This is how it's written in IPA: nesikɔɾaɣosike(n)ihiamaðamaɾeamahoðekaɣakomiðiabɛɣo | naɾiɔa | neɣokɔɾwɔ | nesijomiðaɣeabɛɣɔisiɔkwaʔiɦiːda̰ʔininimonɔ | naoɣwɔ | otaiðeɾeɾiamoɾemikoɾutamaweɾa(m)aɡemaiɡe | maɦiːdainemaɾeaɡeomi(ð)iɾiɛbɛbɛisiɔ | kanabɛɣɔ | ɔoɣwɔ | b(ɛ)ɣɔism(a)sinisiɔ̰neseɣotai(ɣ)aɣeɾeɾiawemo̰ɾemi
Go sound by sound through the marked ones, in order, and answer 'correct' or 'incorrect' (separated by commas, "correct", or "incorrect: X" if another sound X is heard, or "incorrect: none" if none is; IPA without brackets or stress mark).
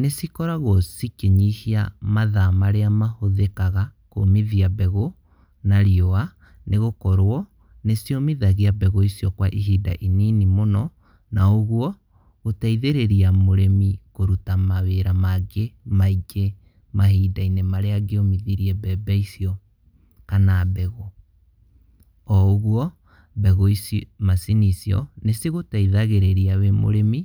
incorrect: ɲ, correct, correct, correct, correct, incorrect: ð